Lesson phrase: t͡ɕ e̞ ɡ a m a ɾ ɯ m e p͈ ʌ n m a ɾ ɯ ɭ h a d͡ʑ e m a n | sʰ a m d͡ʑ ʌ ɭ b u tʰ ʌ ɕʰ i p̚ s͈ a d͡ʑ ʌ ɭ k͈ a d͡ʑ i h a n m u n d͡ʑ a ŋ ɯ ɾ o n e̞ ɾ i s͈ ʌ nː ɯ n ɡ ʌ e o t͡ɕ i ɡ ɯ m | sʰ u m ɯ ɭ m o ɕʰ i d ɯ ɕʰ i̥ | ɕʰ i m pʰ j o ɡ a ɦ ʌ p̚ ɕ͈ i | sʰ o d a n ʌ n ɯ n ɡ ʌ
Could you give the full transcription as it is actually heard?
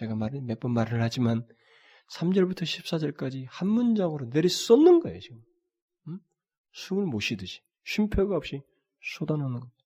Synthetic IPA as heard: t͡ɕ e̞ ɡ a m a ɾ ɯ m e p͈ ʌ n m a ɾ ɯ ɭ h a d͡ʑ i m a n | sʰ a m d͡ʑ ʌ ɭ b u tʰ ʌ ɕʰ i p̚ s͈ a d͡ʑ ʌ ɭ k͈ a d͡ʑ i h a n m u n d͡ʑ a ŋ ɯ ɾ o n e̞ ɾ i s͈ ʌ nː ɯ n ɡ ʌ e o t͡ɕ i ɡ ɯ m | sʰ u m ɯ ɭ m o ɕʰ i d ɯ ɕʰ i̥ | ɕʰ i m pʰ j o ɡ a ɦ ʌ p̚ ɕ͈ i | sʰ o d a n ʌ n ɯ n ɡ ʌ